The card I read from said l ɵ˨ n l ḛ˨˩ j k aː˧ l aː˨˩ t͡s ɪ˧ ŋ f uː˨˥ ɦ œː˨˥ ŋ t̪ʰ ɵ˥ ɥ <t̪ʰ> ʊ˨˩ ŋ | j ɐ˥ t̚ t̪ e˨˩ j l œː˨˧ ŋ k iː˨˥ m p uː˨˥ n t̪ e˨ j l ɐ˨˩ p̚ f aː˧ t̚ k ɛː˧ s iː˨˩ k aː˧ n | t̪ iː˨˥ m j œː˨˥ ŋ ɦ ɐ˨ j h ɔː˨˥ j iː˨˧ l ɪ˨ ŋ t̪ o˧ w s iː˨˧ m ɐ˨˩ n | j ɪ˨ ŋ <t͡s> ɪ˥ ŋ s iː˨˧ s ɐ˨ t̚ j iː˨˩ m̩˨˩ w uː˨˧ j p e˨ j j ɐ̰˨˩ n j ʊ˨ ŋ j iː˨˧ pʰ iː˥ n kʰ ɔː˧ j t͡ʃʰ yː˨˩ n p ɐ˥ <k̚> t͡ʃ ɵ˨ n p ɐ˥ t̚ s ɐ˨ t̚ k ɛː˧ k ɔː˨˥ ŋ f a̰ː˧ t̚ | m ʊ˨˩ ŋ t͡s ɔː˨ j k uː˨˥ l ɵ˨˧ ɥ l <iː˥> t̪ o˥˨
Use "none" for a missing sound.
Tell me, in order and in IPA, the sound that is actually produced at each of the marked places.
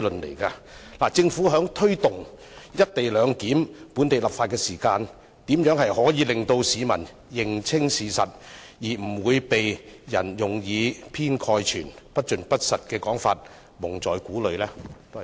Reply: t̪, t͡sʰ, t̚, ɛː˥

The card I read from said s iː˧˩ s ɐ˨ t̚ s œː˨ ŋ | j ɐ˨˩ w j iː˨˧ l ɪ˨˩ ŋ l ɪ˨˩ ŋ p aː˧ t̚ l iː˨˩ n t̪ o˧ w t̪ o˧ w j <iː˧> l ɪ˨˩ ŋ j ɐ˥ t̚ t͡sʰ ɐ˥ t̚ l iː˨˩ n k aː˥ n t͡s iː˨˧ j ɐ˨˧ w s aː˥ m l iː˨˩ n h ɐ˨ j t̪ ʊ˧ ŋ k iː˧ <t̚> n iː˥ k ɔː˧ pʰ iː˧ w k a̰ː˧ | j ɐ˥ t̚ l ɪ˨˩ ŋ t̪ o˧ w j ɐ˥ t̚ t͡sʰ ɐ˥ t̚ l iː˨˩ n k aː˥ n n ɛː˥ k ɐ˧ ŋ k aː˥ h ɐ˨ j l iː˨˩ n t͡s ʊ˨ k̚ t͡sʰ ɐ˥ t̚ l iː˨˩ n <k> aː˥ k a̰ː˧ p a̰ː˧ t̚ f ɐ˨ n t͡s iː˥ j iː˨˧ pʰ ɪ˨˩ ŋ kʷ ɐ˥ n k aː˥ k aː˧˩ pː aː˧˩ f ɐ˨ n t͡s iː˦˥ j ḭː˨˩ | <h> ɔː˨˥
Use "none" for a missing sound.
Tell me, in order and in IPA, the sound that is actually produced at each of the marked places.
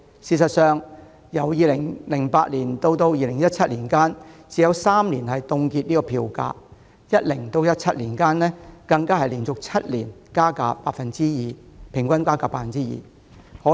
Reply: iː˧, t̚, k, h

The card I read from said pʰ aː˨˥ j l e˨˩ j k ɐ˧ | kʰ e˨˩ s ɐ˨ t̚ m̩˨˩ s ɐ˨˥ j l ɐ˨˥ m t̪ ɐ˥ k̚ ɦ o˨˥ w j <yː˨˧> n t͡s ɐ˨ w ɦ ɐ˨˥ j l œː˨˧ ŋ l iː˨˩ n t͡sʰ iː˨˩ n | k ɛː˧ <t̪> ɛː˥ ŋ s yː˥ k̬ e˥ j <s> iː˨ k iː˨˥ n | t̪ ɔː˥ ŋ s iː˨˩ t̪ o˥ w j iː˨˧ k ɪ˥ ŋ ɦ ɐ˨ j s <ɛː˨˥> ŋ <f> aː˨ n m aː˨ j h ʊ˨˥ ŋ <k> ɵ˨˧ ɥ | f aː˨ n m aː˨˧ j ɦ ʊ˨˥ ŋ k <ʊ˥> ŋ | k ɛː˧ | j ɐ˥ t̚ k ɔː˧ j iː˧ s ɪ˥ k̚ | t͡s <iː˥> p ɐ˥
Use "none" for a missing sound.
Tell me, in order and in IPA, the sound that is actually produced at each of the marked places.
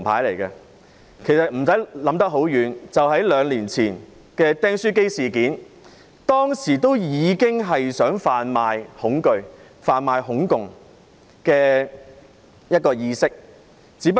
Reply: yː˨˧, t̪, s, œː˨˥, f, k, ʊ˨, iː˨˥

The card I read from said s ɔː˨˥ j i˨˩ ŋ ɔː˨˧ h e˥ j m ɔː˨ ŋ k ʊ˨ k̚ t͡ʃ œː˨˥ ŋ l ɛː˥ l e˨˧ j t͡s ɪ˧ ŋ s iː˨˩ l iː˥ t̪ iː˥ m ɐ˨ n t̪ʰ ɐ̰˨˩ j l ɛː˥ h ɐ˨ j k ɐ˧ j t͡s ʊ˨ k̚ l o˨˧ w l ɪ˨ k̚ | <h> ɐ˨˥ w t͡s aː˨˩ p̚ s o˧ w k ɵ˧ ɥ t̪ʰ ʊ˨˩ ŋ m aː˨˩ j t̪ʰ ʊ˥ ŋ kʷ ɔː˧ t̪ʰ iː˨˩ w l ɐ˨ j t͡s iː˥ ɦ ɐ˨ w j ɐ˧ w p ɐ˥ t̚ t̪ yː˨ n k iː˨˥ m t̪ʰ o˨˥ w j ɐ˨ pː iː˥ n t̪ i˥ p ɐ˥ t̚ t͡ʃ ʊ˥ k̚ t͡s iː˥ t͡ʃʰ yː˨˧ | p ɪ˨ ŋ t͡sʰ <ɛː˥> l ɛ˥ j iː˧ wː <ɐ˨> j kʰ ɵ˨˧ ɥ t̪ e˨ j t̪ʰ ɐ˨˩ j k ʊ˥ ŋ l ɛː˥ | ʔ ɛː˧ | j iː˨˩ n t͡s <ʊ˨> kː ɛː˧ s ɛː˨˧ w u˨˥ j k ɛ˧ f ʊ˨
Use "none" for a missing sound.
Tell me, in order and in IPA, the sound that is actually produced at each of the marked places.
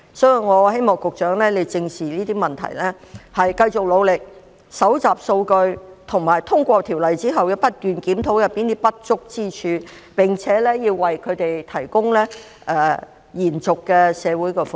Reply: s, ɛː˨˥, ɐ˨, ʊ˨

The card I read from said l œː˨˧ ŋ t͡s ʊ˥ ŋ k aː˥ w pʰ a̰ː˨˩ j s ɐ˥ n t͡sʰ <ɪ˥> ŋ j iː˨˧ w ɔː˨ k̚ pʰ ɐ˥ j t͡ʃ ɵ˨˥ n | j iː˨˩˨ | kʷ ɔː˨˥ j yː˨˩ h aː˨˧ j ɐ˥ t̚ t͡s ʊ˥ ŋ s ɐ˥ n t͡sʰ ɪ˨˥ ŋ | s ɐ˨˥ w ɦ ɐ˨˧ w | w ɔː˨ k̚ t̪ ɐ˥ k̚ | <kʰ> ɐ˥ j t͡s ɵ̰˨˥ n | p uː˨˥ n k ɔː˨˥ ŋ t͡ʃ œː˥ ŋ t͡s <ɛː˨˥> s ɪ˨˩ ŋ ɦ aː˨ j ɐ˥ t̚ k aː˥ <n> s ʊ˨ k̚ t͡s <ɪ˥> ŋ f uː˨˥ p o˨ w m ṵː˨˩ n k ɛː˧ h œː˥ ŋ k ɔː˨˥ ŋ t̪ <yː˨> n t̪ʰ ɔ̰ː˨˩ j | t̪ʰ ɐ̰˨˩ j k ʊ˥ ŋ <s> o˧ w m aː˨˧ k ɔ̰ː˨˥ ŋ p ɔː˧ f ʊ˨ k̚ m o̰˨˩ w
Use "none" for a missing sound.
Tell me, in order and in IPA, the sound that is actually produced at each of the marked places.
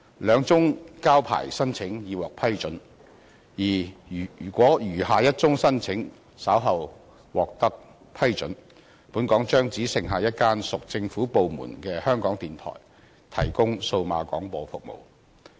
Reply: ɪ˨˥, pʰ, iː˨˥, n, ɪ˧, iː˨, s

